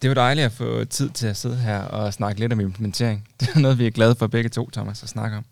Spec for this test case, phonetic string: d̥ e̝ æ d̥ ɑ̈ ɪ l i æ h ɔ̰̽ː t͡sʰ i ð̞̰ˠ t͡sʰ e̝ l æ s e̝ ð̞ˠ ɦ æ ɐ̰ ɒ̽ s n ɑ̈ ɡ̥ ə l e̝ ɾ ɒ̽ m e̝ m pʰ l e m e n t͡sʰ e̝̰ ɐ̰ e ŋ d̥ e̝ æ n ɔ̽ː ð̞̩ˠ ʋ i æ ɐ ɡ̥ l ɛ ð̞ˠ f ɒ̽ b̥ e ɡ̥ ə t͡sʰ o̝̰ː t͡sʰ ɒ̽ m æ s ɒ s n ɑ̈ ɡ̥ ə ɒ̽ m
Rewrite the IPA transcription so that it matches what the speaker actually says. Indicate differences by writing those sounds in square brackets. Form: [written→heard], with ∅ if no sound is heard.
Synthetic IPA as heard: d̥ e̝ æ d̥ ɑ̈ ɪ l i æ [h→f] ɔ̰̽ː t͡sʰ i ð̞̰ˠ t͡sʰ e̝ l æ s e̝ ð̞ˠ ɦ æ ɐ̰ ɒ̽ s n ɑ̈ ɡ̥ ə l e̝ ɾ ɒ̽ m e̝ m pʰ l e m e n t͡sʰ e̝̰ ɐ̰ e ŋ d̥ e̝ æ n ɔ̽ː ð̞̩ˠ ʋ i æ ɐ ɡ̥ l ɛ ð̞ˠ f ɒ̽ b̥ e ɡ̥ ə t͡sʰ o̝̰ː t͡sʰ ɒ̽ m æ s ɒ s n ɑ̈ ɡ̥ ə ɒ̽ m